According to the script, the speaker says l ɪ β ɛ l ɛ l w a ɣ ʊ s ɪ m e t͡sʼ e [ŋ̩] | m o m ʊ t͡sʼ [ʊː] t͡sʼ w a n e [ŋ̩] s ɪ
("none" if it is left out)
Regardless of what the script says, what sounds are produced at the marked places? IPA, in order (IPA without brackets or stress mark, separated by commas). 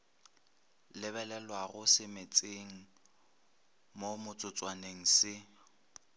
ŋ̩, ʊ, ŋ̩